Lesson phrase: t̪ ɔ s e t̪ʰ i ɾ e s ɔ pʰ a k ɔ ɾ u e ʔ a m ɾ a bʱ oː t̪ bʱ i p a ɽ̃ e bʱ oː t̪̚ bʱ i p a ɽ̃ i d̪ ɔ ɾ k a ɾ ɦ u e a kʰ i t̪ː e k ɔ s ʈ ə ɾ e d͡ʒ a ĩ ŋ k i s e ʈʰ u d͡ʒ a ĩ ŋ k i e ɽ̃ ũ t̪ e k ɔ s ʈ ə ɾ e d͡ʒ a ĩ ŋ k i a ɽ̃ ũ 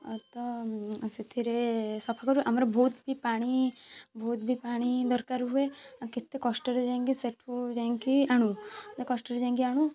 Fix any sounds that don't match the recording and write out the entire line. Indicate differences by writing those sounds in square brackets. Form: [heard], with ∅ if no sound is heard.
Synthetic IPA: t̪ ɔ s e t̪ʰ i ɾ e s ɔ pʰ a k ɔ ɾ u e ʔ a m ɾ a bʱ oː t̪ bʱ i p a ɽ̃ [i] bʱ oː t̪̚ bʱ i p a ɽ̃ i d̪ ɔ ɾ k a ɾ ɦ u e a [k] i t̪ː e k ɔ s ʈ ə ɾ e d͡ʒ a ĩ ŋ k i s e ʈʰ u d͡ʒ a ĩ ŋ k i [a] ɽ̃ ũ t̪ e k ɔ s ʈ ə ɾ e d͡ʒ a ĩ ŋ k i a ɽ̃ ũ

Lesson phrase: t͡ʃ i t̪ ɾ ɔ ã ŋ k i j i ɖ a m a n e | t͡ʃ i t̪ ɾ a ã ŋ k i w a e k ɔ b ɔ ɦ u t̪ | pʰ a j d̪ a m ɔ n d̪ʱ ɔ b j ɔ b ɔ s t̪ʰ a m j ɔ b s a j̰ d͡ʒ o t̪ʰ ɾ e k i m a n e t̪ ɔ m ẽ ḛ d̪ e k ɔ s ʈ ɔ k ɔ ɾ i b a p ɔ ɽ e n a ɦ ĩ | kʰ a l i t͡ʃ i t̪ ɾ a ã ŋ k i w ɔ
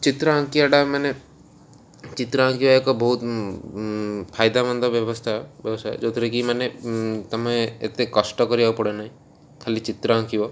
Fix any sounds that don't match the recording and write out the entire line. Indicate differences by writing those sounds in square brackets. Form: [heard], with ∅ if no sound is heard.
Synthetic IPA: t͡ʃ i t̪ ɾ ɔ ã ŋ k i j [a] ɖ a m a n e | t͡ʃ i t̪ ɾ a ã ŋ k i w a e k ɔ b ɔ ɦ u t̪ | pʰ a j d̪ a m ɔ n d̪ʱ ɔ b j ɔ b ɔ s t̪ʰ a [b] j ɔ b s a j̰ d͡ʒ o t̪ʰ ɾ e k i m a n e t̪ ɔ m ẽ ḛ [t̪] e k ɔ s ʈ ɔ k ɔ ɾ i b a p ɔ ɽ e n a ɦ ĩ | kʰ a l i t͡ʃ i t̪ ɾ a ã ŋ k i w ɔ

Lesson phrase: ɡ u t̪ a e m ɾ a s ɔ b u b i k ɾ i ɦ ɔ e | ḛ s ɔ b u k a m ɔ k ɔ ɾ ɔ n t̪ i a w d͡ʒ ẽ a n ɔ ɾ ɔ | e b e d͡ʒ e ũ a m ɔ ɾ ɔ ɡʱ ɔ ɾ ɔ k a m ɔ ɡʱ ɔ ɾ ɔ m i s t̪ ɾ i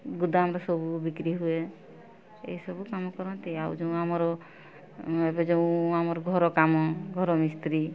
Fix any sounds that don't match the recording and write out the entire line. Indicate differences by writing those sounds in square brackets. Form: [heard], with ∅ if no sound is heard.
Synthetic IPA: ɡ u [d̪] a [a] m ɾ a s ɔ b u b i k ɾ i ɦ [u] e | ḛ s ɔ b u k a m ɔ k ɔ ɾ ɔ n t̪ i a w d͡ʒ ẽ a [m] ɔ ɾ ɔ | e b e d͡ʒ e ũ a m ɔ ɾ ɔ ɡʱ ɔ ɾ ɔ k a m ɔ ɡʱ ɔ ɾ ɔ m i s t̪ ɾ i

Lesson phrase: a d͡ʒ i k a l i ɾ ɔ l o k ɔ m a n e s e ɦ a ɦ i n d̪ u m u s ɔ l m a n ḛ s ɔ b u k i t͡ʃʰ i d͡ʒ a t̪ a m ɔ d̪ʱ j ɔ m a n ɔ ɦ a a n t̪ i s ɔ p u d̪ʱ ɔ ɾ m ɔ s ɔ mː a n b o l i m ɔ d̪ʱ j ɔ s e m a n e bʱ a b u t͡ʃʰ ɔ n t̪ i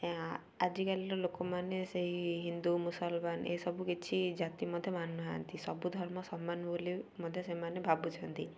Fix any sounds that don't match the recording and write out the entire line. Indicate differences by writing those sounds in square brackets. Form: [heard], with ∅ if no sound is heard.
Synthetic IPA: a d͡ʒ i k a l i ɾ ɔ l o k ɔ m a n e s e ɦ [i] ɦ i n d̪ u m u s ɔ l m a n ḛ s ɔ b u k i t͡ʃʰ i d͡ʒ a t̪ [i] m ɔ d̪ʱ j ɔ m a n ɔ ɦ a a n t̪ i s ɔ [b] u d̪ʱ ɔ ɾ m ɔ s ɔ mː a n b o l i m ɔ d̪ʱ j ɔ s e m a n e bʱ a b u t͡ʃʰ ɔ n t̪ i

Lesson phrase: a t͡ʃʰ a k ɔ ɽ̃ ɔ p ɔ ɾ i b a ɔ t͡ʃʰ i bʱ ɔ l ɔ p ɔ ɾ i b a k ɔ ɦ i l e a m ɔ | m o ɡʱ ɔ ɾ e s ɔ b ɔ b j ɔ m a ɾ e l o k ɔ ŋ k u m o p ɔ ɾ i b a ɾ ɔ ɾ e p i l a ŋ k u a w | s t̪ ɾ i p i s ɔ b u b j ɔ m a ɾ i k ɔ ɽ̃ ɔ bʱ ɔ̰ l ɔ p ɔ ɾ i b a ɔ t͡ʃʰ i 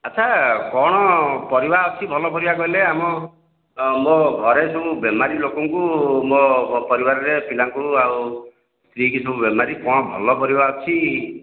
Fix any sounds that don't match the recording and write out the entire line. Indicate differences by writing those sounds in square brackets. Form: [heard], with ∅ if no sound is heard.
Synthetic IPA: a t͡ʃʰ a k ɔ ɽ̃ ɔ p ɔ ɾ i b a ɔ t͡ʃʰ i bʱ ɔ l ɔ p ɔ ɾ i b a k ɔ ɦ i l e a m ɔ | m o ɡʱ ɔ ɾ e s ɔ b [u] b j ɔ m a ɾ [i] l o k ɔ ŋ k u m o p ɔ ɾ i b a ɾ ɔ ɾ e p i l a ŋ k u a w | s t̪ ɾ i [k] i s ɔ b u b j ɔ m a ɾ i k ɔ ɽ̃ ɔ bʱ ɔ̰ l ɔ p ɔ ɾ i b a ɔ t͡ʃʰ i

